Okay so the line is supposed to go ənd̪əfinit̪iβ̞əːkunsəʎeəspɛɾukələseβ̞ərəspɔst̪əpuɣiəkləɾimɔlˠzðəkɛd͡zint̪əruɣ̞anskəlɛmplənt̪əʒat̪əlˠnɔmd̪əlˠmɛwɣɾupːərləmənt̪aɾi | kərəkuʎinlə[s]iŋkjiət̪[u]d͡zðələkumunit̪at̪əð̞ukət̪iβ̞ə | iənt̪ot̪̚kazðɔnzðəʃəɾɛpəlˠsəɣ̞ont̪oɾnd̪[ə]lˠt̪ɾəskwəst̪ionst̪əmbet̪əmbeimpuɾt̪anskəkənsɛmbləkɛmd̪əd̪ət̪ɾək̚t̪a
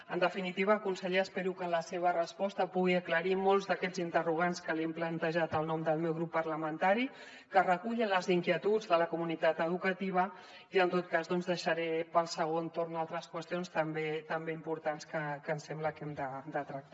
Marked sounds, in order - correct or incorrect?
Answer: incorrect: z, correct, incorrect: a

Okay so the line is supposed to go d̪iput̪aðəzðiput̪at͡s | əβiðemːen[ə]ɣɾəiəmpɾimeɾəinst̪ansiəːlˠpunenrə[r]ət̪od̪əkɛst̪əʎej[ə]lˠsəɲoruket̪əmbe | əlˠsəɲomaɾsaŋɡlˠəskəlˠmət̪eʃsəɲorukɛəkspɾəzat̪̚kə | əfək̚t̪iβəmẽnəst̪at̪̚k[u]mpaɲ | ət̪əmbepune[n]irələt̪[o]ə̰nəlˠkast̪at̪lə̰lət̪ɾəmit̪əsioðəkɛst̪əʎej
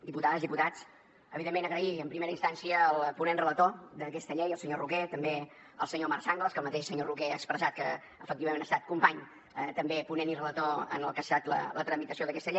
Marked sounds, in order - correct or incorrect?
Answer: correct, incorrect: l, correct, correct, correct, correct

